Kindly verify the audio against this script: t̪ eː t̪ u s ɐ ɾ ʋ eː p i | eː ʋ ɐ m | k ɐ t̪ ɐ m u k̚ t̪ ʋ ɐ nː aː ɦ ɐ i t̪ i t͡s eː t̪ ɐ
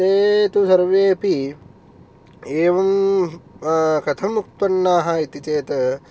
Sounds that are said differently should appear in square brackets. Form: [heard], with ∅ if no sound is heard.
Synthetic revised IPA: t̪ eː t̪ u s ɐ ɾ ʋ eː p i | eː ʋ ɐ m | k ɐ [t̪ʰ] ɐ m u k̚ t̪ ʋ ɐ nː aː ɦ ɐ i t̪ i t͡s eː t̪ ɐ